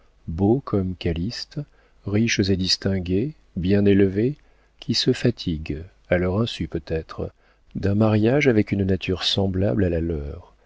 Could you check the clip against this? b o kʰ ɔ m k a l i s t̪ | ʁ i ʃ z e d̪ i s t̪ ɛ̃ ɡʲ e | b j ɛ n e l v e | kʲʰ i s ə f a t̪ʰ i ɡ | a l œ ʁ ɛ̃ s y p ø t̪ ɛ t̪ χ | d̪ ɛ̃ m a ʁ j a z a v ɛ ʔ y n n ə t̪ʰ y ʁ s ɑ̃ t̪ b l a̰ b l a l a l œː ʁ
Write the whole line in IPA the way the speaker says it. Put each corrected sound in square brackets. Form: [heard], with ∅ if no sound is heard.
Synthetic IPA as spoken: b o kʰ ɔ m k a l i s t̪ | ʁ i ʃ z e d̪ i s t̪ ɛ̃ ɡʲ e | b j [ɛ̃] n e l v e | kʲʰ i s ə f a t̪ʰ i ɡ | a l œ ʁ ɛ̃ s y p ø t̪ ɛ t̪ χ | d̪ ɛ̃ m a ʁ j a [ʒ] a v ɛ [k] y n n [a] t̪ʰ y ʁ s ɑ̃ [∅] b l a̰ b l a l a l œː ʁ